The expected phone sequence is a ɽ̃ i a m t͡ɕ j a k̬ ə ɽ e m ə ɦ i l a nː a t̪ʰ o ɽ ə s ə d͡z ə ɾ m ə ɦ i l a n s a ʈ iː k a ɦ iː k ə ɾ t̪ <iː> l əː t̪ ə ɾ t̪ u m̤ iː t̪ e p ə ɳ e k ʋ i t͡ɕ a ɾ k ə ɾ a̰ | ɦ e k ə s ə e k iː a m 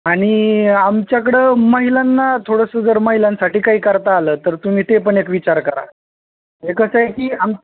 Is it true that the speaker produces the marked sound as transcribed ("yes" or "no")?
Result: no